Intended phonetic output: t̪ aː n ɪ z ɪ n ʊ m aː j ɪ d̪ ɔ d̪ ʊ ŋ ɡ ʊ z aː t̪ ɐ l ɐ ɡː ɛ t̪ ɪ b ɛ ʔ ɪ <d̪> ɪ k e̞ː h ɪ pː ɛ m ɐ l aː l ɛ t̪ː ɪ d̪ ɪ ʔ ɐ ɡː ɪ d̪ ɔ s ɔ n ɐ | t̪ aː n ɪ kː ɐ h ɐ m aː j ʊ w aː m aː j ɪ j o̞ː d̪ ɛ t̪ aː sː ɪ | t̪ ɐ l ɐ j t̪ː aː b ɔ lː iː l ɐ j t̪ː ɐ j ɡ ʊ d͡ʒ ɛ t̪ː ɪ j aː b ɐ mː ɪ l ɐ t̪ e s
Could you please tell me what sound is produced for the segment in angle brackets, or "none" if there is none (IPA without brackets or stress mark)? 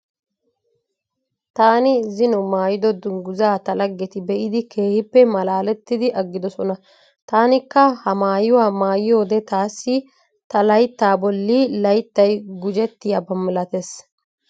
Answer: d̪